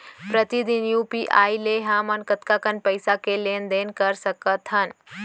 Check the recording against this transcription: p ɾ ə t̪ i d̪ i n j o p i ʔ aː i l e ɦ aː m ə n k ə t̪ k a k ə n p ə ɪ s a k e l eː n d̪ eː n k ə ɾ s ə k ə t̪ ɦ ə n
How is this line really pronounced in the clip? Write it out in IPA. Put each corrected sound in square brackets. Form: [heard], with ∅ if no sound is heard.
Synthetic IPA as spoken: p ɾ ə t̪ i d̪ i n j [u] p i ʔ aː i l e ɦ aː m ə n k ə t̪ k a k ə n p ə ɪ s a k e l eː n d̪ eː n k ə ɾ s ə k ə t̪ ɦ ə n